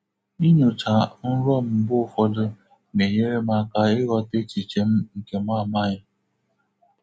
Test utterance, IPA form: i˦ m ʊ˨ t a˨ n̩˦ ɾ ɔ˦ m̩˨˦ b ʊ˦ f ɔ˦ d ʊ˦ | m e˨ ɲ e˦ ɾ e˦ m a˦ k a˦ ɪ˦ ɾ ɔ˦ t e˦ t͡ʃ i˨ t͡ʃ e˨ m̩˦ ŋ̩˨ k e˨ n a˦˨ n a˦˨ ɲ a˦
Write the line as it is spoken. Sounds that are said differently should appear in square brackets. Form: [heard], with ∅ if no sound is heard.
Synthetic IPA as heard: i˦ [ɲ] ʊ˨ [t͡ʃ] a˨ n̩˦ ɾ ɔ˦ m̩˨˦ b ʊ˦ f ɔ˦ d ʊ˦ | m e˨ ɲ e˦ ɾ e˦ m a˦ k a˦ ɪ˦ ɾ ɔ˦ t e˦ t͡ʃ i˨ t͡ʃ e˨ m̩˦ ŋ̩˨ k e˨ [m] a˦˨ [m] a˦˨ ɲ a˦

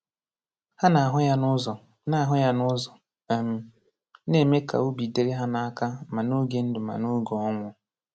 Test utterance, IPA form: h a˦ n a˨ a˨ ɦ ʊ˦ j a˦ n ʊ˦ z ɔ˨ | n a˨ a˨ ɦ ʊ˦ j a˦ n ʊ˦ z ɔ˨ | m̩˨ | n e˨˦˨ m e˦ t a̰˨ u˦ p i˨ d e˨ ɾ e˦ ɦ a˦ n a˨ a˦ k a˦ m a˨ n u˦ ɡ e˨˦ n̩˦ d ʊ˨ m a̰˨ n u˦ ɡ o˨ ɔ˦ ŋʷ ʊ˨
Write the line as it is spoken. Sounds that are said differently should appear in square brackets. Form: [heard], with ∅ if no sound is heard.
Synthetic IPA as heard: h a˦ n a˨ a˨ ɦ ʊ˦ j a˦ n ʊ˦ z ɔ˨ | n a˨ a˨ ɦ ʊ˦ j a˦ n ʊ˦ z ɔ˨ | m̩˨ | n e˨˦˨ m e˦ [k] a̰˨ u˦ [b] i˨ d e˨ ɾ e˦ ɦ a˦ n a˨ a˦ k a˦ m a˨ n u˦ ɡ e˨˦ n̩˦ d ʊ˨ m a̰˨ n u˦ ɡ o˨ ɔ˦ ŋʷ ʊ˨

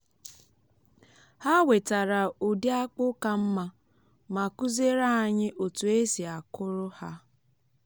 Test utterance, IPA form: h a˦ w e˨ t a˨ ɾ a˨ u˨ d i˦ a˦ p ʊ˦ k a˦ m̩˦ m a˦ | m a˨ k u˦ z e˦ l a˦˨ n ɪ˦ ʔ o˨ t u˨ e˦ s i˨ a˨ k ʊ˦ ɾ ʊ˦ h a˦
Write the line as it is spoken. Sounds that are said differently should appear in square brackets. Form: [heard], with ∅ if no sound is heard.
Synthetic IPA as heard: h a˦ w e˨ t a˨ ɾ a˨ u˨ d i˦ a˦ [k͡p] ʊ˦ k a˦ m̩˦ m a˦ | m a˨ k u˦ z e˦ [ɾ] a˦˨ [ɲ] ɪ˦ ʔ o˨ t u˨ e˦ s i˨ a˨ k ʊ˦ ɾ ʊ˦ h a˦

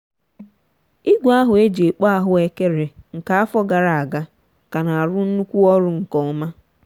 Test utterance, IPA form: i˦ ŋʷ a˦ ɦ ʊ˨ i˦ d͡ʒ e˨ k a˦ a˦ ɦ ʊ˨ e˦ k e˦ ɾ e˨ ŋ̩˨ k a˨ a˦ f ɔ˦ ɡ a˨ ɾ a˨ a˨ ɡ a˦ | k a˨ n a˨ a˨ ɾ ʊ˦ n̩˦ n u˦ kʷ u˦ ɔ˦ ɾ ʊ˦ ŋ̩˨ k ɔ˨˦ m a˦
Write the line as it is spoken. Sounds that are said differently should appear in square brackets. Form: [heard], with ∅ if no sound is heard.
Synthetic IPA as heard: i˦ [ɡʷ] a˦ ɦ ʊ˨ [e˦] d͡ʒ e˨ [k͡p] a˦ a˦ ɦ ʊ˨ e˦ k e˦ ɾ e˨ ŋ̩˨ k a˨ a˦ f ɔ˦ ɡ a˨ ɾ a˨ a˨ ɡ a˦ | k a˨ n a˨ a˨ ɾ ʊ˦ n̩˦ n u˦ kʷ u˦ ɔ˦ ɾ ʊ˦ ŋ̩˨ k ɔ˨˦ m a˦

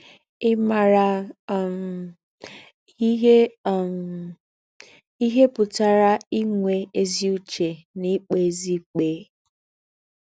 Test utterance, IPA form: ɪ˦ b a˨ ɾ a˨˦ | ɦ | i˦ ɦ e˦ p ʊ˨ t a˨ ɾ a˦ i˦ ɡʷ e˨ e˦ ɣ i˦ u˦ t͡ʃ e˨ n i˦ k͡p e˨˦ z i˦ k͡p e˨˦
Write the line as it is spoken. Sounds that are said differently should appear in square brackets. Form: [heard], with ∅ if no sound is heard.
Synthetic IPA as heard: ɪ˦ [m] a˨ ɾ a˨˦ | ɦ | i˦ ɦ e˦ p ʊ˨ t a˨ ɾ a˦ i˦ [ŋʷ] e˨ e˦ [z] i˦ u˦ t͡ʃ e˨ n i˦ k͡p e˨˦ z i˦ k͡p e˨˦

